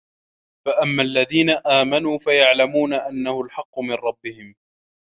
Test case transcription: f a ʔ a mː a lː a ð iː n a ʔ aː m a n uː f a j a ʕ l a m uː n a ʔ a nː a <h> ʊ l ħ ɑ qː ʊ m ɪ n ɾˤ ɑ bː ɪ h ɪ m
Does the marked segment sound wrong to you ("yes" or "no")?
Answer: no